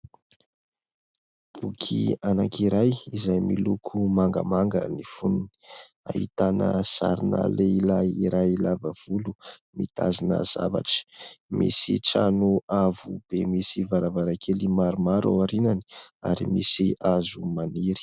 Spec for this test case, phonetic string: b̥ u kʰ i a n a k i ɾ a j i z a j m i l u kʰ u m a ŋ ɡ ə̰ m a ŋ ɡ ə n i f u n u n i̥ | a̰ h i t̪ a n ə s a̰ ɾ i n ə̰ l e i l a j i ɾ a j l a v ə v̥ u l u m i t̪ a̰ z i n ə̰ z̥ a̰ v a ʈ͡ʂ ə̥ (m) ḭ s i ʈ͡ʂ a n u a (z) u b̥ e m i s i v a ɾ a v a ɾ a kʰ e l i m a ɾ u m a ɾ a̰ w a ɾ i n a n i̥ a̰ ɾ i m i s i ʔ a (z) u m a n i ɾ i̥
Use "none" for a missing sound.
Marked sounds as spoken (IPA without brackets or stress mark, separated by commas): m, v, z